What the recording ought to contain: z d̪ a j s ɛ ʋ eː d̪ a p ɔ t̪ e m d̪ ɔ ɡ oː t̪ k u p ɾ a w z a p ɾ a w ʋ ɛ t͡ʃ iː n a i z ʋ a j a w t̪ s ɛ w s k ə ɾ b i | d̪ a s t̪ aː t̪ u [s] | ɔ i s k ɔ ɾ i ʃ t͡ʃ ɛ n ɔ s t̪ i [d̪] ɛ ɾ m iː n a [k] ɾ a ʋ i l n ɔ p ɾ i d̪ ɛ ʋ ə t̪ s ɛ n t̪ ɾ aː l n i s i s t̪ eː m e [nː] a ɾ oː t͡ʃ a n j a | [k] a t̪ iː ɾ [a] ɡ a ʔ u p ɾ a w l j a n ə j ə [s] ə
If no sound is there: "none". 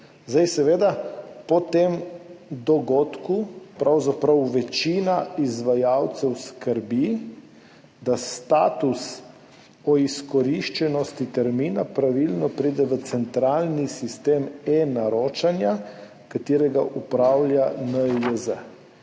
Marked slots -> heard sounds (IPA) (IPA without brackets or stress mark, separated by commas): s, t̪, p, n, k, ɛ, z